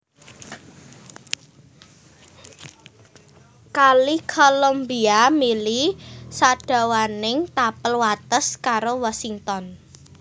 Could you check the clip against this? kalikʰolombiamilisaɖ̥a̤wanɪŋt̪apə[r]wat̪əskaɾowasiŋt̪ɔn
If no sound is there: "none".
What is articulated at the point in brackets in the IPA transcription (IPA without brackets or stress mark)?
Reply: l